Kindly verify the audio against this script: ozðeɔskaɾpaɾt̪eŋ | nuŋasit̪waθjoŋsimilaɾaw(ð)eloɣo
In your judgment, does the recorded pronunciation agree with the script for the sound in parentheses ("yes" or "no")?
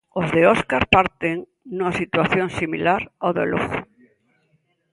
yes